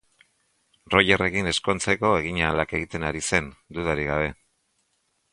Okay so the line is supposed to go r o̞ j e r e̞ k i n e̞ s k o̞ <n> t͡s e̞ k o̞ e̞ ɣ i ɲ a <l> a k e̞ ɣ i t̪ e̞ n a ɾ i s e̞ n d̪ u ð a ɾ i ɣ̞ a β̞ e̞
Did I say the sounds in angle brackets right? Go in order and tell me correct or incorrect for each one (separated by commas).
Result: correct, correct